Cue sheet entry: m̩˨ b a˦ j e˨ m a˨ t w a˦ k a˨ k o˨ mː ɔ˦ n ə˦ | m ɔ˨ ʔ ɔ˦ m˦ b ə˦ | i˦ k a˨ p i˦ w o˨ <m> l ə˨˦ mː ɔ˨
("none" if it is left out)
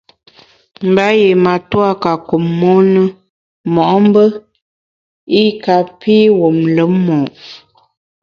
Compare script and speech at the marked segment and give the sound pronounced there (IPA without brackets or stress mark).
m